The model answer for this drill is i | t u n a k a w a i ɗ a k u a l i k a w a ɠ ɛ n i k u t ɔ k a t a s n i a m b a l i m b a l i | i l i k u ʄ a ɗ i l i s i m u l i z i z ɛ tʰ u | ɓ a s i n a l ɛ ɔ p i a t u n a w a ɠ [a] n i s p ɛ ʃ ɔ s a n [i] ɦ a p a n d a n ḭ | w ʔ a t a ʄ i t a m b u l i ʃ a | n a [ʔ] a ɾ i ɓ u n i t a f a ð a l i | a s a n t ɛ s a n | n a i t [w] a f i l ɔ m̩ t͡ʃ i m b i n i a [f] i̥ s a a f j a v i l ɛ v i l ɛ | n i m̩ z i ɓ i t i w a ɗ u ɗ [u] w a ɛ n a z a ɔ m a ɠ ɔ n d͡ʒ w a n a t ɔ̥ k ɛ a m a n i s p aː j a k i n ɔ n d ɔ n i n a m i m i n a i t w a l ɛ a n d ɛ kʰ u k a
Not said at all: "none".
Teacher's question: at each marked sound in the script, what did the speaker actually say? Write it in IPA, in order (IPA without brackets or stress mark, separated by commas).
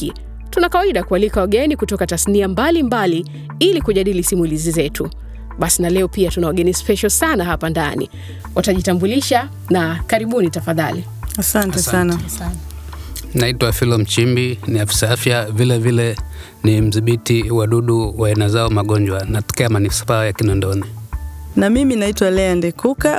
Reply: ɛ, a, k, w, f, u